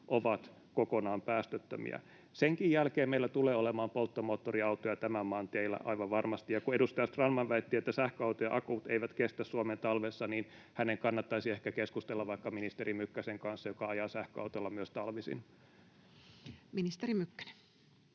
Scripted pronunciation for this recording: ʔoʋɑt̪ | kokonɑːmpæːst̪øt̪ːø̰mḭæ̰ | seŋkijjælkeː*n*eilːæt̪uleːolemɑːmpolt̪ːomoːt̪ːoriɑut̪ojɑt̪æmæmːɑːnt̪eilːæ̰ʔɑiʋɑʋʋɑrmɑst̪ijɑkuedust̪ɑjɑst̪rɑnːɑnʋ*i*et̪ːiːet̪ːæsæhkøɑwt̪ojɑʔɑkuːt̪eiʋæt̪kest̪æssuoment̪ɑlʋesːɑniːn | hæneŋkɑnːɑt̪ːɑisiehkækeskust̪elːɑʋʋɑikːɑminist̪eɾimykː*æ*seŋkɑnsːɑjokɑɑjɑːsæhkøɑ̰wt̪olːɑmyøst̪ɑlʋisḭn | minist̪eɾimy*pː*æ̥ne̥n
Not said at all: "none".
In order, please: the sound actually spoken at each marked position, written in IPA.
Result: m, æ, æ, kː

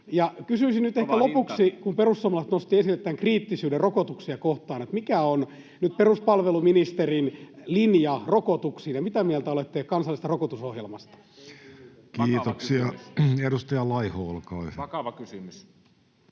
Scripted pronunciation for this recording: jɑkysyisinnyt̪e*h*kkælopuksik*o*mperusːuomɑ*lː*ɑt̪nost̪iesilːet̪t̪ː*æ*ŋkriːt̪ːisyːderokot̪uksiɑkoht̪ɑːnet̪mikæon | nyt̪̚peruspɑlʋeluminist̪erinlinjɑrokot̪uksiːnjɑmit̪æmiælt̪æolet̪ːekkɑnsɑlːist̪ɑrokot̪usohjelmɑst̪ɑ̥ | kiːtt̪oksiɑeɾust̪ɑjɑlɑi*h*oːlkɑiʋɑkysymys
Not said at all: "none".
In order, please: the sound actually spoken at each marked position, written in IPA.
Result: h, u, l, æ, h

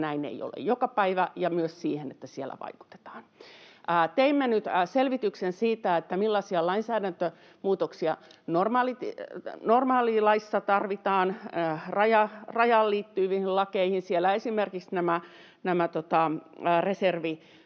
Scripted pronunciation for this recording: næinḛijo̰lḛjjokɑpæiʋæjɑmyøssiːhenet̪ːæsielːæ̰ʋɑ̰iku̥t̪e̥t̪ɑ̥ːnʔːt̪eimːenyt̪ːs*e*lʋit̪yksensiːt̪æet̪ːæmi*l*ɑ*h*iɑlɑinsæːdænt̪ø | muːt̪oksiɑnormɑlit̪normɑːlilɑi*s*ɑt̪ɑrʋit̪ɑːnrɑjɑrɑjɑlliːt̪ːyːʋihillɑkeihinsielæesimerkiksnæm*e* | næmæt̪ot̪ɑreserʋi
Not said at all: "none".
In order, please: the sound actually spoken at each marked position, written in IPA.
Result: e, lː, s, sː, æ

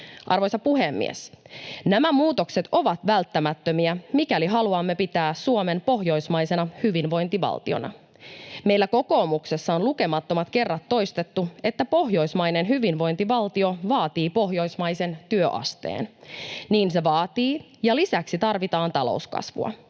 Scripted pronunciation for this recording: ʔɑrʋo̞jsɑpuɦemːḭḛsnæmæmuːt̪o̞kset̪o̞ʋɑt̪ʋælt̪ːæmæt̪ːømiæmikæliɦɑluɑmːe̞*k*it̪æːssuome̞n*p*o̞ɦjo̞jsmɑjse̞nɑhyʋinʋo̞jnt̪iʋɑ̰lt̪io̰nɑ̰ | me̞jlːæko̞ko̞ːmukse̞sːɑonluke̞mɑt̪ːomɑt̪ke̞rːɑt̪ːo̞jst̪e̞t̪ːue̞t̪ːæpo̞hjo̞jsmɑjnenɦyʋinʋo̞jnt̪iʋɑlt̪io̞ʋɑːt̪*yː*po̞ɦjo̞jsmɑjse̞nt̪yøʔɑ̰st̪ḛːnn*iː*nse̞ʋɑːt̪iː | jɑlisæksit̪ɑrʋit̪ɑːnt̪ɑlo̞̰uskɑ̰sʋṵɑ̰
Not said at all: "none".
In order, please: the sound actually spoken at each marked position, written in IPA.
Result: p, p, iː, iː

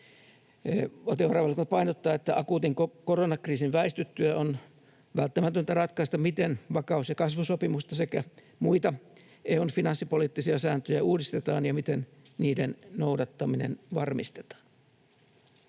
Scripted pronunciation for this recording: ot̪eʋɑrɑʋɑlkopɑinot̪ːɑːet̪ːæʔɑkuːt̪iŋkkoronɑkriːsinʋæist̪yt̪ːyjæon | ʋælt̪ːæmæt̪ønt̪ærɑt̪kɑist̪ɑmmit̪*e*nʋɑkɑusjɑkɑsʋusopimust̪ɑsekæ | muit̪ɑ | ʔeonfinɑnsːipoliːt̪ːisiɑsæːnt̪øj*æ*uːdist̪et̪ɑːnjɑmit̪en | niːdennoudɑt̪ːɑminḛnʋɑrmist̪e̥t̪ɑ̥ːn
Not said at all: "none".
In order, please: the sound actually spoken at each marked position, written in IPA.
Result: e, æ

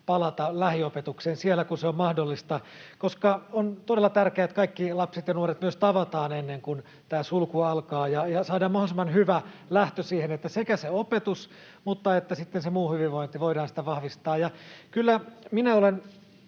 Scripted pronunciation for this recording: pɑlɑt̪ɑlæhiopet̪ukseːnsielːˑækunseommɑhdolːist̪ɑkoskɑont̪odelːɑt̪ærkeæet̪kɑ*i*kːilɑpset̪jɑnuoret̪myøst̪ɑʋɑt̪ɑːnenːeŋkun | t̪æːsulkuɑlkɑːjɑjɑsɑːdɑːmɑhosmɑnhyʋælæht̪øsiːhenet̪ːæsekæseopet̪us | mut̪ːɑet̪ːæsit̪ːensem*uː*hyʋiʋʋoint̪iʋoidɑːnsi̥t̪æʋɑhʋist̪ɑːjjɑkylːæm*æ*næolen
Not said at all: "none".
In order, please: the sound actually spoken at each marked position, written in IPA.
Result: i, uː, i

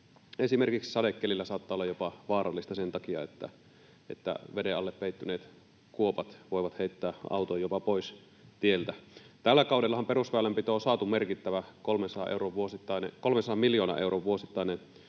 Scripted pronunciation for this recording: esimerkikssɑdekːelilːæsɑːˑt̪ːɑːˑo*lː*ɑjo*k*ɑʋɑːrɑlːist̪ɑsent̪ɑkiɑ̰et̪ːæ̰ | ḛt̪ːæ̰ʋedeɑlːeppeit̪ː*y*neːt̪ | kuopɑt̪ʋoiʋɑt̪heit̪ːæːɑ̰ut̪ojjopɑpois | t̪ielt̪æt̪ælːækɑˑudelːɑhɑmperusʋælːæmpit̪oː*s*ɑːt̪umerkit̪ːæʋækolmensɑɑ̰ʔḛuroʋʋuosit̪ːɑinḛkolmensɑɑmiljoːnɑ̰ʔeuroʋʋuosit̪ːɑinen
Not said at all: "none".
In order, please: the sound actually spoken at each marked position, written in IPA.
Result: lː, p, y, s

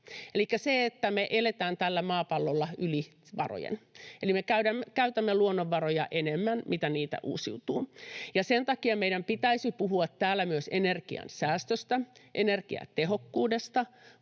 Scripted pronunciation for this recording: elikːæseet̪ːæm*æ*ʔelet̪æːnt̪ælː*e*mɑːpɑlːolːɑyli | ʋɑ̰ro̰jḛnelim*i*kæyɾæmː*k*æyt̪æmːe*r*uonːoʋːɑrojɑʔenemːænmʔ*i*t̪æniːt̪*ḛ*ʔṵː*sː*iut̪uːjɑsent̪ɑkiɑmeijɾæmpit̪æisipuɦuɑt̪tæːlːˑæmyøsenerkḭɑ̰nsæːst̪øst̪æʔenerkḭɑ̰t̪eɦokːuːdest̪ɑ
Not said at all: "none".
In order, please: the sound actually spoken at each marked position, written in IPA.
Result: e, æ, e, k, l, i, æ̰, s

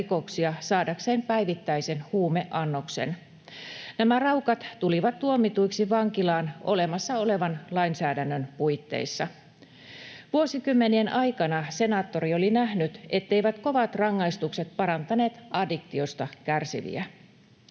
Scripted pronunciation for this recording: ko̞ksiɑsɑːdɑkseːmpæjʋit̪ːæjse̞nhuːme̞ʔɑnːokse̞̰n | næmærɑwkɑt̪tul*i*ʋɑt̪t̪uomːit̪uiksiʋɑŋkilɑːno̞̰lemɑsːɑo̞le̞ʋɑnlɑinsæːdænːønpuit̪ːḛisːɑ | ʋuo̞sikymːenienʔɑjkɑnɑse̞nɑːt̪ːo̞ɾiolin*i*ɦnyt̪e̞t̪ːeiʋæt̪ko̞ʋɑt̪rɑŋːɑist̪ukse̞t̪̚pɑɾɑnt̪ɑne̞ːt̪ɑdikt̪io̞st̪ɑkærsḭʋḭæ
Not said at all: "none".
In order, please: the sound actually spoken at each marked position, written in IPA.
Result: i, æ

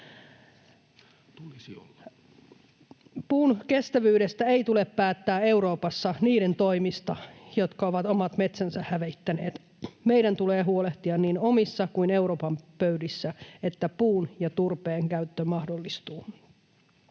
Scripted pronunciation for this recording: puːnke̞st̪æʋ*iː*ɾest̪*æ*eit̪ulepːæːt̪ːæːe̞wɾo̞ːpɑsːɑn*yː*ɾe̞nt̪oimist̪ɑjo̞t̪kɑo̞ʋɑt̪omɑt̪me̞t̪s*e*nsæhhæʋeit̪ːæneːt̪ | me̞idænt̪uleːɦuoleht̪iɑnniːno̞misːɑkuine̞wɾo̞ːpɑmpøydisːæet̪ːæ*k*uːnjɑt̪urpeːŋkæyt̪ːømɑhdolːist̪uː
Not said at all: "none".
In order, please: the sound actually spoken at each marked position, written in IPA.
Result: yː, æ, iː, æ, p

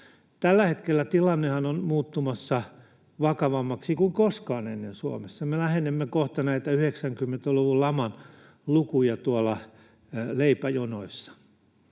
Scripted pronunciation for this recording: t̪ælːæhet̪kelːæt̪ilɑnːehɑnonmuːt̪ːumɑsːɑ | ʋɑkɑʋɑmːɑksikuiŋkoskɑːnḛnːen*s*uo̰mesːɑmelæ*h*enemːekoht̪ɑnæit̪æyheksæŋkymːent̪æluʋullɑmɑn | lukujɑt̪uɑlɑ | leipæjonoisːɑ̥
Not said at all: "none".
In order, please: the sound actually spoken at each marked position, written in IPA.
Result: s, h

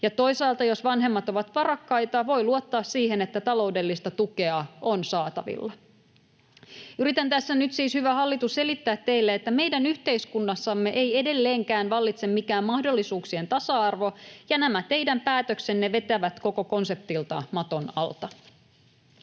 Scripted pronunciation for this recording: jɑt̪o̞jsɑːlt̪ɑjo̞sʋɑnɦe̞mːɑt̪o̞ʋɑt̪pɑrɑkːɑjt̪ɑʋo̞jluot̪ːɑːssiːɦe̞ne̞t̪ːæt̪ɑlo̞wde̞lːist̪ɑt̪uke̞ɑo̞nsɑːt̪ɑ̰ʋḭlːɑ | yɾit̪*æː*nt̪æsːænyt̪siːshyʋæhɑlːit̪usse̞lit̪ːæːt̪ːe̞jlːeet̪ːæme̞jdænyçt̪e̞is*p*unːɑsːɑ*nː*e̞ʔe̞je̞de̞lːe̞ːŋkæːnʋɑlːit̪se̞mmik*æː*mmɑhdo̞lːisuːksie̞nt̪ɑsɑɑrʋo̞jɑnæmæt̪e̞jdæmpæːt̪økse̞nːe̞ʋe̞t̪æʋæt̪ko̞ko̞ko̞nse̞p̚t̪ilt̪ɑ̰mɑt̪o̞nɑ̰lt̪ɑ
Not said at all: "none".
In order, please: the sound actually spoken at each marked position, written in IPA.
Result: æ, k, mː, æː

